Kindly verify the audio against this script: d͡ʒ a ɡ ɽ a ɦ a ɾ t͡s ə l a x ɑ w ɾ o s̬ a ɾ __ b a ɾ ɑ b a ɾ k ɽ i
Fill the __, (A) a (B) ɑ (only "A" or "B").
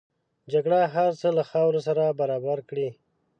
A